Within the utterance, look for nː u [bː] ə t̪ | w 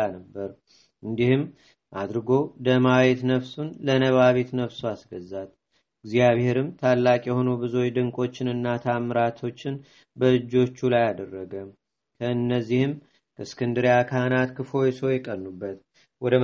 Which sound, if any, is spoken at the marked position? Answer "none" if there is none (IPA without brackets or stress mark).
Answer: bː